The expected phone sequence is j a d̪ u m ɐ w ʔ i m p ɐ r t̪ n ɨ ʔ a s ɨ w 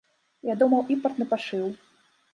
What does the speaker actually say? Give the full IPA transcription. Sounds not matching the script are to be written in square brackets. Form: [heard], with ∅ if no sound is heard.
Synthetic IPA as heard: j a d̪ u m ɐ w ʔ i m p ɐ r t̪ n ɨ [p] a [ʂ] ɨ w